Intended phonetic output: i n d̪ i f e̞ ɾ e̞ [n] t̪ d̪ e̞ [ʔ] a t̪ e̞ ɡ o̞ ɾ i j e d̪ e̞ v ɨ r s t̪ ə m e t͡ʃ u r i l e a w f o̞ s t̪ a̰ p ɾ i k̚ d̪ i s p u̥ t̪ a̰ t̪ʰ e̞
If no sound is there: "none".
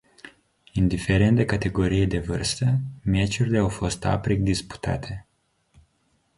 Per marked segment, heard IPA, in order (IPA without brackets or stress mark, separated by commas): n, k